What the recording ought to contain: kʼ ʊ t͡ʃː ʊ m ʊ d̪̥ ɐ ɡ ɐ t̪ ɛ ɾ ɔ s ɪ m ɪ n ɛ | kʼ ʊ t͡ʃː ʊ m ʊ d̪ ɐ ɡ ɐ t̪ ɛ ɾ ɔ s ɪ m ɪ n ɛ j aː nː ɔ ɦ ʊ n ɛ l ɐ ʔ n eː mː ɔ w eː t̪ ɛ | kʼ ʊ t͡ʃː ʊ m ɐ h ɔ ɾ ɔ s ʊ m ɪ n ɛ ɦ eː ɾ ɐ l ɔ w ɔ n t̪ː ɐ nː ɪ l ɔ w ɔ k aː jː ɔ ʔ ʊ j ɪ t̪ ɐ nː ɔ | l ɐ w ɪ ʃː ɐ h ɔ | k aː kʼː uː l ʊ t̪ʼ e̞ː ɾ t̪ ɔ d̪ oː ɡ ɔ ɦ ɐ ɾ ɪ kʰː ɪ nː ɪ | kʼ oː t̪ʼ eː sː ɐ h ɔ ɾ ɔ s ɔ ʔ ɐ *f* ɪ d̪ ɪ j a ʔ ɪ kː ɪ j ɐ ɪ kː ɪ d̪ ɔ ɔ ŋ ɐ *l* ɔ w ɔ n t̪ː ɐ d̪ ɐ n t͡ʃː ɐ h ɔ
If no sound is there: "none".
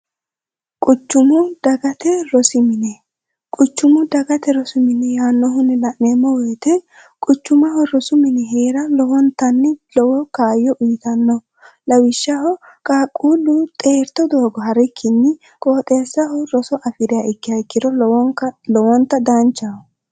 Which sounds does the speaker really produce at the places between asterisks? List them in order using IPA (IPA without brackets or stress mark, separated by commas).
f, l